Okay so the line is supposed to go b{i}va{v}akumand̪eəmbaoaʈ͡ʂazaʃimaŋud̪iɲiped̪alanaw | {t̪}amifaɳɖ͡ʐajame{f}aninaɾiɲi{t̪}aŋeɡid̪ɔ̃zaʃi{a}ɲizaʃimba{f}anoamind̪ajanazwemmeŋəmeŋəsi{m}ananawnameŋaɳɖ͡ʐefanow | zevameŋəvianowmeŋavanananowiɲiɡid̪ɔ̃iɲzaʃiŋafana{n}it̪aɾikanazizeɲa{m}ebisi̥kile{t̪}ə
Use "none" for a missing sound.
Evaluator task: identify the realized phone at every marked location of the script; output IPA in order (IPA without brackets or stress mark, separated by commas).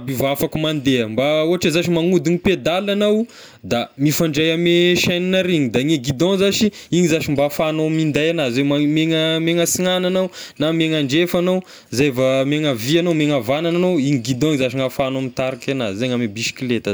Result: i, f, d̪, ʃ, d̪, i, f, ŋ, m, m, t̪